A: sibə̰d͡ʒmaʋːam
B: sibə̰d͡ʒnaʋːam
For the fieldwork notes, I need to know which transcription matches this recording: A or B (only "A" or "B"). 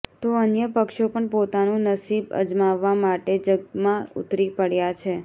A